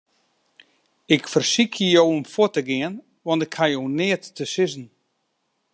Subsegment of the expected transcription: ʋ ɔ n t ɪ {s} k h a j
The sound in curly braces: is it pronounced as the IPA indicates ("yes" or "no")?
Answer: no